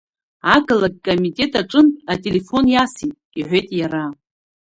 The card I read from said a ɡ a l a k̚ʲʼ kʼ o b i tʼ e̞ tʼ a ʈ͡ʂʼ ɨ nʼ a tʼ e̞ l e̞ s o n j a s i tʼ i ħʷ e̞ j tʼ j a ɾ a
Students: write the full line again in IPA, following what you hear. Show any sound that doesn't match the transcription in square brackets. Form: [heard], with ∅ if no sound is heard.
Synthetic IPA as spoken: a ɡ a l a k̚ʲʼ kʼ o [m] i tʼ e̞ tʼ a ʈ͡ʂʼ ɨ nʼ a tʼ e̞ l e̞ [f] o n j a s i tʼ i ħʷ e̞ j tʼ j a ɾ a